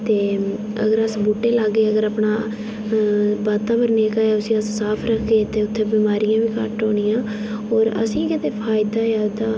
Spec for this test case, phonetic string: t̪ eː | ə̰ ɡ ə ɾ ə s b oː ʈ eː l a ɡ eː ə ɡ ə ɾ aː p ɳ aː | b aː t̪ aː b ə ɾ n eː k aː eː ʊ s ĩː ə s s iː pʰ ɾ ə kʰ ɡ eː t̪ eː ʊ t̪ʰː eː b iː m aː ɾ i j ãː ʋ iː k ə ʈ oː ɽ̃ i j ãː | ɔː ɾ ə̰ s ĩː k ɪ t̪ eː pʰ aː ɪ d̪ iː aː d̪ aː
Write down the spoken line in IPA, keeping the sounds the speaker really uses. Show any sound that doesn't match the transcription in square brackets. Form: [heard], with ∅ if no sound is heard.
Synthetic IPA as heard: t̪ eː | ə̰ ɡ ə ɾ ə s b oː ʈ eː l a ɡ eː ə ɡ ə ɾ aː p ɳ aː | b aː t̪ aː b ə ɾ n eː k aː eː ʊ s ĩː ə s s [aː] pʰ ɾ ə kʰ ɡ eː t̪ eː ʊ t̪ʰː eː b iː m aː ɾ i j ãː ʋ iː k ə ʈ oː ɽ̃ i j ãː | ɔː ɾ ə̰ s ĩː k ɪ t̪ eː pʰ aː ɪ d̪ [aː] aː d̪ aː